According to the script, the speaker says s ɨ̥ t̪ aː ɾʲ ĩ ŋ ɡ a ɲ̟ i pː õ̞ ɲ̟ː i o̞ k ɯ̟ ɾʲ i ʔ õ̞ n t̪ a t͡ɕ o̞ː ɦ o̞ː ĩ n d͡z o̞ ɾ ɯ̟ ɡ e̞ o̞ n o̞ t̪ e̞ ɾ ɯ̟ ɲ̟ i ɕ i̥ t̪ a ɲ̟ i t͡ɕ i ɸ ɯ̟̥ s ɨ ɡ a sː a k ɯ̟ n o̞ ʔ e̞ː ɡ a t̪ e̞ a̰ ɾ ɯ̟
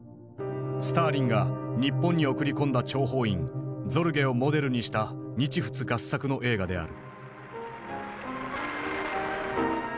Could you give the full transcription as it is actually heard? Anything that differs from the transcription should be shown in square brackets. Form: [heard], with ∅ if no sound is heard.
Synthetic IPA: s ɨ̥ t̪ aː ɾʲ ĩ ŋ ɡ a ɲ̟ i pː õ̞ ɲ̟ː i o̞ k ɯ̟ ɾʲ i [k] õ̞ n [d̪] a t͡ɕ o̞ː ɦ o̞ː ĩ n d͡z o̞ ɾ ɯ̟ ɡ e̞ o̞ [m] o̞ [d̪] e̞ ɾ ɯ̟ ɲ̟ i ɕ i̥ t̪ a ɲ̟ i t͡ɕ i ɸ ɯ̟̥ [t͡s] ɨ ɡ a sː a k ɯ̟ n o̞ ʔ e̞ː ɡ a [d̪] e̞ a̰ ɾ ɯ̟